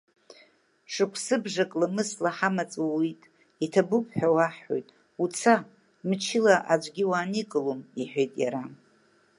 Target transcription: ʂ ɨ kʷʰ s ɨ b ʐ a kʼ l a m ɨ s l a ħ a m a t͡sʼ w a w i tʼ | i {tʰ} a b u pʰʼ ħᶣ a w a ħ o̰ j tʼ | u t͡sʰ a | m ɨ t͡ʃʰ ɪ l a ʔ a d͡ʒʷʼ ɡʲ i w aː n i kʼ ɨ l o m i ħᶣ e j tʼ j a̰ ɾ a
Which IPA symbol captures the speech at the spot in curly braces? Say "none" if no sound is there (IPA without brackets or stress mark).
tʰ